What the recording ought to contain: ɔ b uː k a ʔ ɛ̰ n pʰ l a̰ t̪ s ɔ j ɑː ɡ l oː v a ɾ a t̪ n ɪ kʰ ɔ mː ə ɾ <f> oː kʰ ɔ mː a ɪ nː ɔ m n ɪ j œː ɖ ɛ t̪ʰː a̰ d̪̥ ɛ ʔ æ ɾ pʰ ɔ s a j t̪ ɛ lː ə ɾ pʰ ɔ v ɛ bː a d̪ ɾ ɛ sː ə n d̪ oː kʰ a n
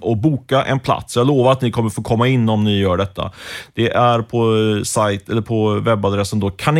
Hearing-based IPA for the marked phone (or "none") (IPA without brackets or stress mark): f